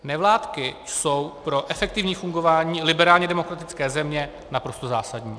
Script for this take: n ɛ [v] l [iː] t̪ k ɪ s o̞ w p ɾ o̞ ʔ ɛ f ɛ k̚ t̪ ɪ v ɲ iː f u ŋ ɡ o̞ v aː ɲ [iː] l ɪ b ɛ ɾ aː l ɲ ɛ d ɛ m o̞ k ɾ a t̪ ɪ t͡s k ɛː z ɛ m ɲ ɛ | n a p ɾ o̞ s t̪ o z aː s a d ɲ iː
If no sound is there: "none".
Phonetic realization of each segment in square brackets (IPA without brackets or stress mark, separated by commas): v, aː, iː